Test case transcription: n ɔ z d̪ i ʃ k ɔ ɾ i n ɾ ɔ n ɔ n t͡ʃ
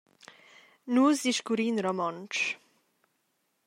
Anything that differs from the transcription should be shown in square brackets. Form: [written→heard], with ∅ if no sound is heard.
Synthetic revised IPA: n [ɔ→u] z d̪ i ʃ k [ɔ→u] ɾ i n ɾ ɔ [n→m] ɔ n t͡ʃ